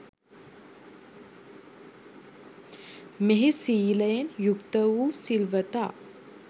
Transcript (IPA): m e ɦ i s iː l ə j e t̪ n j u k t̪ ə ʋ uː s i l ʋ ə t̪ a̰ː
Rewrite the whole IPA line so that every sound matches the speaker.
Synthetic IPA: m e ɦ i s iː l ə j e n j u k t̪ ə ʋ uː s i l ʋ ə t̪ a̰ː